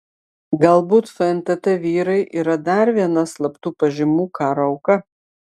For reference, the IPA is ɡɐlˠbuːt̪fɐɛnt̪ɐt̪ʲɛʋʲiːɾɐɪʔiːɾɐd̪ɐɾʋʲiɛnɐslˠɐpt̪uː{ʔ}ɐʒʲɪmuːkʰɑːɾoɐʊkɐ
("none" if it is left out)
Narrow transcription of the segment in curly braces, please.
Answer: p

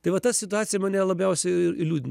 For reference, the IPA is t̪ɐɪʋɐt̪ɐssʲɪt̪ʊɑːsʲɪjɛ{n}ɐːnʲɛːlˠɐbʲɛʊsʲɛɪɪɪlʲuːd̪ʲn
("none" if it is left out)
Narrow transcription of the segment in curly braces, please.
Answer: m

